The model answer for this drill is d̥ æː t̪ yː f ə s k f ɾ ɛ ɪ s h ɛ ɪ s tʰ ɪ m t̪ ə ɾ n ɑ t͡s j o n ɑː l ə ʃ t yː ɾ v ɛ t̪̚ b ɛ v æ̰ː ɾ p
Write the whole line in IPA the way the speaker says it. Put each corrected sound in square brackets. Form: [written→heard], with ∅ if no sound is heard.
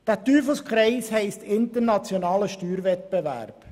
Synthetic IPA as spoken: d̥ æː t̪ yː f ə s k [f→χ] ɾ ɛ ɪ s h ɛ ɪ s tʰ ɪ [m→n] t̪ ə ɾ n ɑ t͡s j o n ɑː l ə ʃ t yː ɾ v ɛ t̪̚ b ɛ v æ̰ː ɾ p